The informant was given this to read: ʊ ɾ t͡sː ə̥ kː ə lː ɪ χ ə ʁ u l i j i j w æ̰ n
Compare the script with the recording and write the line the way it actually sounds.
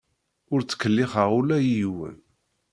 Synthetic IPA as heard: ʊ ɾ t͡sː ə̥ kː ə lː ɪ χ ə ʁ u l æ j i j w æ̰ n

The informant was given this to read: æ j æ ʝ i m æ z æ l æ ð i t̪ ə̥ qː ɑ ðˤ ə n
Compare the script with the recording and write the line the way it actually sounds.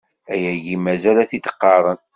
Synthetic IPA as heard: æ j æ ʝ i m æ z æ l æ θ i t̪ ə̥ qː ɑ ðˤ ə n

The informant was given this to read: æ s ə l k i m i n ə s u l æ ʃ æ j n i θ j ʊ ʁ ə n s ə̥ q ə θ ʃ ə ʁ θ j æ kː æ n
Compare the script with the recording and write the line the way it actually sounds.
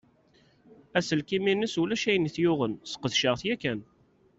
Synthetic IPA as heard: æ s ə l k i m i n ə s u l æ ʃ æ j n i θ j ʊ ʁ ə n s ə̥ q ə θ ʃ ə ʁ θ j æ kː æ n

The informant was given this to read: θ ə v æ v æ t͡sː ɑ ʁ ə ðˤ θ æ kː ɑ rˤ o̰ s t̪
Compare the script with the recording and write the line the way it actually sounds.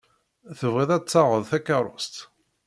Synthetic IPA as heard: θ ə v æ ð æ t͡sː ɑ ʁ ə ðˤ θ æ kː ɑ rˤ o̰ s t̪

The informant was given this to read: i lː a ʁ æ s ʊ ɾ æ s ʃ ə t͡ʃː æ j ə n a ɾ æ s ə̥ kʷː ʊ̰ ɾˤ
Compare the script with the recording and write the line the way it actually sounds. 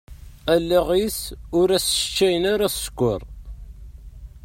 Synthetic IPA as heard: æ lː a ʁ i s ʊ ɾ æ s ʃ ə t͡ʃː æ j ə n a ɾ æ s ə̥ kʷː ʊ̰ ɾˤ

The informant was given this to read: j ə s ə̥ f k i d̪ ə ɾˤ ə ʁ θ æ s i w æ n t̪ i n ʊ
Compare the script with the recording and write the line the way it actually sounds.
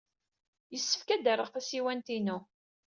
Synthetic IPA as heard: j ə sː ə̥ f k æ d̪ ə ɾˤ ə ʁ θ æ s i w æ n t̪ i n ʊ

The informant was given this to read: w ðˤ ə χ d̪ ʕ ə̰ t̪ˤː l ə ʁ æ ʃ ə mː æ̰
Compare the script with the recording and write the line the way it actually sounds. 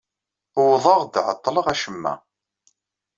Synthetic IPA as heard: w ðˤ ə ʁ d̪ ʕ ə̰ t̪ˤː l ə ʁ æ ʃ ə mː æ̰

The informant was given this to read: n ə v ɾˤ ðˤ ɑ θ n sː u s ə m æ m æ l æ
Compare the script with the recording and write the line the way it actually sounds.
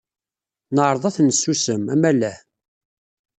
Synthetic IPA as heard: n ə ʕ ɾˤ ðˤ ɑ θ n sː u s ə m æ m æ l æ

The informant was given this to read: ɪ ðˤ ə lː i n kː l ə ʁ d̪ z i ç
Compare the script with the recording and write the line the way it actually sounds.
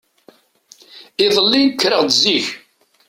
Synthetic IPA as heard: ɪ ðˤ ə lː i n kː ɾ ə ʁ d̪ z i ç

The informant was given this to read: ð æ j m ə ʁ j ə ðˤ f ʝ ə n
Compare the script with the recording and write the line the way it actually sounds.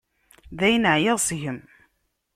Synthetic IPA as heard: ð æ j n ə ʕ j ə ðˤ s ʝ ə m

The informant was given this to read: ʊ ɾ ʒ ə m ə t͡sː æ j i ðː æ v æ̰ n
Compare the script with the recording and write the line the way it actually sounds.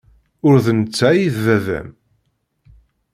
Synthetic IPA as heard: ʊ ɾ ð ə n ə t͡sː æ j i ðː æ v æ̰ m

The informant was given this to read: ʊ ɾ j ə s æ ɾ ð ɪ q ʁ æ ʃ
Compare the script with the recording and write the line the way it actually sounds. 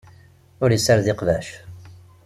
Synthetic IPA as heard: ʊ ɾ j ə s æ ɾ ð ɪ q v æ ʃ

